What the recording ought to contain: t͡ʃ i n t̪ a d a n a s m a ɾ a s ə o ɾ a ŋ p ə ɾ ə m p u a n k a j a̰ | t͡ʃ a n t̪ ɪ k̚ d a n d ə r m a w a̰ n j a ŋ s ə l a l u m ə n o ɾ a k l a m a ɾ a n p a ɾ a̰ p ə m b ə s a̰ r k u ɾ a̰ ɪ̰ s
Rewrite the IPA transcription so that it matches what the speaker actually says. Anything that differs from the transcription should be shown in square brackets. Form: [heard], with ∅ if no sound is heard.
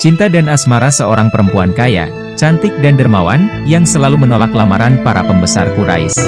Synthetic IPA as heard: t͡ʃ i n t̪ a d a n a s m a ɾ a s ə o ɾ a ŋ p ə ɾ ə m p u a n k a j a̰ | t͡ʃ a n t̪ ɪ k̚ d a n d ə r m a w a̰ n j a ŋ s ə l a l u m ə n o [l] a k l a m a ɾ a n p a ɾ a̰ p ə m b ə s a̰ r k u ɾ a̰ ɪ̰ s